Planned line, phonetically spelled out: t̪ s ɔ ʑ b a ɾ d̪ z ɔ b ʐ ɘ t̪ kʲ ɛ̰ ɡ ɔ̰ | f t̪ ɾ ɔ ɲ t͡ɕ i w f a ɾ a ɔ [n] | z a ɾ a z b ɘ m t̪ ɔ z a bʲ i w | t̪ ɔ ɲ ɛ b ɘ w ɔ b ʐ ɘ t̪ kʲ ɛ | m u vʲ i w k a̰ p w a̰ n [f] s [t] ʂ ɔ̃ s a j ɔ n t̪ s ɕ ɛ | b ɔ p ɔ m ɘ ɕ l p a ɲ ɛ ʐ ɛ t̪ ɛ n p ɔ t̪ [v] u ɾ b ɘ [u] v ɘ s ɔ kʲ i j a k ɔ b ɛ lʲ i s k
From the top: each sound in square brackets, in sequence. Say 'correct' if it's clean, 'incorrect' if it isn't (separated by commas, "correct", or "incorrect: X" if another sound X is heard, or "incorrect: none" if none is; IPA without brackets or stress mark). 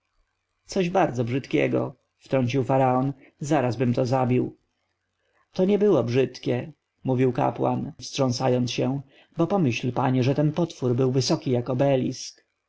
correct, correct, correct, incorrect: f, incorrect: w